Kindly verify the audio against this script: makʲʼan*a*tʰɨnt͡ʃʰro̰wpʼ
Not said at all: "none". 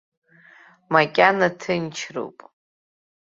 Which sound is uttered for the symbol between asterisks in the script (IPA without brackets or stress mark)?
a